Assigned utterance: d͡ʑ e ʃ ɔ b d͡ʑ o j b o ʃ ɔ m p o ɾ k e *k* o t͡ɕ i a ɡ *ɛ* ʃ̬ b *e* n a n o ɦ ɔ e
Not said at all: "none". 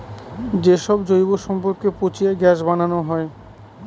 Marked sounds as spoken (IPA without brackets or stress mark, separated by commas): p, ɛ, a